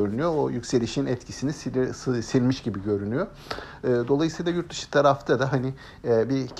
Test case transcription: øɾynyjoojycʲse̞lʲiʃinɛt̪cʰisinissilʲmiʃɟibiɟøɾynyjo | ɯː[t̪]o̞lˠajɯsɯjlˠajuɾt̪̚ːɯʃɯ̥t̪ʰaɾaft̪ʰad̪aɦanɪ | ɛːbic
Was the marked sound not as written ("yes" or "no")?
yes